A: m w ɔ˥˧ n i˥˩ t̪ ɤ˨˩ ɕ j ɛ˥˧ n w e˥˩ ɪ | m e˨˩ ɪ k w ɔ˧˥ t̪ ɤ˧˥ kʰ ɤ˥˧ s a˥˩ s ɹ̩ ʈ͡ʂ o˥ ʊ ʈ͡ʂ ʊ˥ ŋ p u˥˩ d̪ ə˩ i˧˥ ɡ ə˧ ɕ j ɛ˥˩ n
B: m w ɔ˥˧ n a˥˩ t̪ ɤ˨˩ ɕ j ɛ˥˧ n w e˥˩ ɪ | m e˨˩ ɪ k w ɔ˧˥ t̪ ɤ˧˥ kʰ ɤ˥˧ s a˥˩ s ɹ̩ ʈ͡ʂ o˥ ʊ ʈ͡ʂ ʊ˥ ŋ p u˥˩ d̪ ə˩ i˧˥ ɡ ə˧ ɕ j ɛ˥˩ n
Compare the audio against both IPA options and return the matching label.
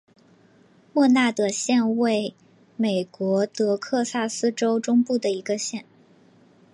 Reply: B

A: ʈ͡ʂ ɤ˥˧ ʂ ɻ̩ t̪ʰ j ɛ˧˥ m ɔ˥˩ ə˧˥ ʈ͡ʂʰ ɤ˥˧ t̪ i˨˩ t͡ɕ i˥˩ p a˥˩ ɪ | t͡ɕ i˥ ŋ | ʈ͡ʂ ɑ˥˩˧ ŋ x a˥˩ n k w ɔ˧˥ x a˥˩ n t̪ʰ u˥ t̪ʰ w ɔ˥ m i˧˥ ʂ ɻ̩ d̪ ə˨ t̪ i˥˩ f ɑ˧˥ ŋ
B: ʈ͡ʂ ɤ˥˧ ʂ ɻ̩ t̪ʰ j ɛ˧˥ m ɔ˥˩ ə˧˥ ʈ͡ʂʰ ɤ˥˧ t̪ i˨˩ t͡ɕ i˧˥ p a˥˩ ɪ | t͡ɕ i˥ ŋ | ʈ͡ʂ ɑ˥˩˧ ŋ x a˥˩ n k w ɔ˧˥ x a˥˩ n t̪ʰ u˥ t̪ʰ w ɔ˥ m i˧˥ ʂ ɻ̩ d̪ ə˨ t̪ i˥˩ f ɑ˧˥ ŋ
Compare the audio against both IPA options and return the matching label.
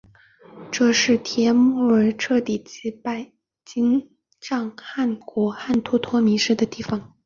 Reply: B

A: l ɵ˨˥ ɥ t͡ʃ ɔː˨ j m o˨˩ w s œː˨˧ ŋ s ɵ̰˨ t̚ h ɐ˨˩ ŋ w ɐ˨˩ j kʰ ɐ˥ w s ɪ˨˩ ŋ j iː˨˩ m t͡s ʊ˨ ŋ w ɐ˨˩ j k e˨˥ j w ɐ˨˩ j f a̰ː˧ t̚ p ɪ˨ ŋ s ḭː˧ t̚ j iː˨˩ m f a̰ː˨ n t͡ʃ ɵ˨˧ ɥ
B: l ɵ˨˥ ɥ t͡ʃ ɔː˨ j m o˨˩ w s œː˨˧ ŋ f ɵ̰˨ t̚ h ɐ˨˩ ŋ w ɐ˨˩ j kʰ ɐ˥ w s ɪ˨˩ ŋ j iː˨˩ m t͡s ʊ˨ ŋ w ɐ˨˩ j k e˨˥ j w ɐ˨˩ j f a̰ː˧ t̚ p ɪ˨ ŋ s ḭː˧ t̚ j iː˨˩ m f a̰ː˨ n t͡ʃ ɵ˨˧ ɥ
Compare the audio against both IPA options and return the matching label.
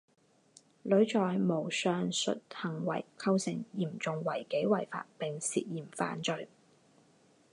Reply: A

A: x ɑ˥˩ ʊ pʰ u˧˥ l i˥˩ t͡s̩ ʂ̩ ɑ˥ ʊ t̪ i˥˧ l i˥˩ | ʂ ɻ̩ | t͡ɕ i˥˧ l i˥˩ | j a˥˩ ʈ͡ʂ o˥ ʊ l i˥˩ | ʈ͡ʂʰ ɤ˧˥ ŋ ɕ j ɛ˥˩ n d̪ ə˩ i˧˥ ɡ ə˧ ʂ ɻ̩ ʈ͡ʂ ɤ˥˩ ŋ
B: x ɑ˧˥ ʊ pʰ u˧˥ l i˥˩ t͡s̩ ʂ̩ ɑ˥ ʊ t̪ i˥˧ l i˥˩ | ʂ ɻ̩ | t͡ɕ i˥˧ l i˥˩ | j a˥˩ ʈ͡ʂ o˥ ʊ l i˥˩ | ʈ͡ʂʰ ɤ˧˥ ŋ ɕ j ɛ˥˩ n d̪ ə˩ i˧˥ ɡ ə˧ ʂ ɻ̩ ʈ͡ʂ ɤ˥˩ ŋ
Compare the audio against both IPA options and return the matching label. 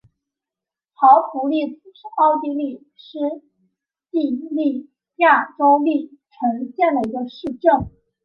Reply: B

